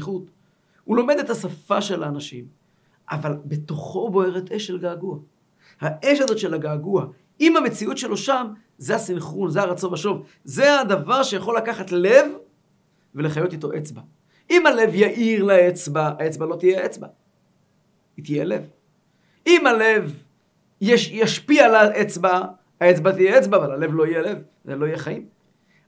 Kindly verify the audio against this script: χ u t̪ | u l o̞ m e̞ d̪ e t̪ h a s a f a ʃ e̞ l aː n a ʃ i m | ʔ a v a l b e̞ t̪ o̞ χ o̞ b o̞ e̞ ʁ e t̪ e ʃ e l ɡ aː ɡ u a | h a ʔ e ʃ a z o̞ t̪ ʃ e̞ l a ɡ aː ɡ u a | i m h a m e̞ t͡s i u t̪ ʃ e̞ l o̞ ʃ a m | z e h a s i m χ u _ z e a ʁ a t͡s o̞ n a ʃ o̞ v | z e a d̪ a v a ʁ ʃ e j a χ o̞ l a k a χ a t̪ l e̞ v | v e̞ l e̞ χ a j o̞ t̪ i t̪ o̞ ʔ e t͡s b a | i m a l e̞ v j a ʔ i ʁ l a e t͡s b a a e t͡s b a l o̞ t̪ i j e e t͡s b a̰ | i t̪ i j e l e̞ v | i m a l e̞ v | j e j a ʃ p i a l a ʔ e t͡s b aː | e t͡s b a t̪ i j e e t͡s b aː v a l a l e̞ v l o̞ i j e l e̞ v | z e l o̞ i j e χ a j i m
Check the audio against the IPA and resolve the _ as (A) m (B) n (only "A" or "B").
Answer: B